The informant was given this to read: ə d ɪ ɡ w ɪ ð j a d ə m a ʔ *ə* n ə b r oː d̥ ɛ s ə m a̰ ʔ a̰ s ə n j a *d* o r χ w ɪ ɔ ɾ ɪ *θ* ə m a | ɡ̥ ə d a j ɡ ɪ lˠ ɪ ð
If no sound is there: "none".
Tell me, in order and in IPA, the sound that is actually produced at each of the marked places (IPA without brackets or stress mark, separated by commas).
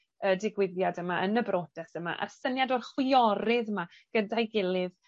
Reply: ə, d, ð